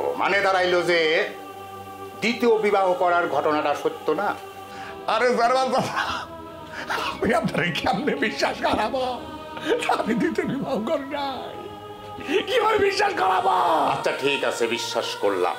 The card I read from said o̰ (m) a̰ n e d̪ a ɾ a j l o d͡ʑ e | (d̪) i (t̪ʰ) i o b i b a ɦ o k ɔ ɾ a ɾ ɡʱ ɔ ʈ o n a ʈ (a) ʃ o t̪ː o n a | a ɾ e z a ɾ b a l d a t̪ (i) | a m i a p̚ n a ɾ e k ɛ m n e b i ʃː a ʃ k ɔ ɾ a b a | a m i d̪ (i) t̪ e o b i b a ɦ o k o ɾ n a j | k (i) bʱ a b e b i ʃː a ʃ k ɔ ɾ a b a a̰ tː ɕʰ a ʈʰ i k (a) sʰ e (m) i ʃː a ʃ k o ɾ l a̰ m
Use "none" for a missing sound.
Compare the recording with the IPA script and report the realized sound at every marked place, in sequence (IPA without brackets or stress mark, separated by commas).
m, d̪, t̪, a, a, i, i, a, b